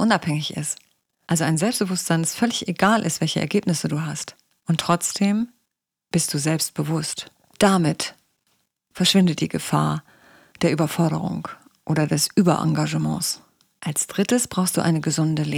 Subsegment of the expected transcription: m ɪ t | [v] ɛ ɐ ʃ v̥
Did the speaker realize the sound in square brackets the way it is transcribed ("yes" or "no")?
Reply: no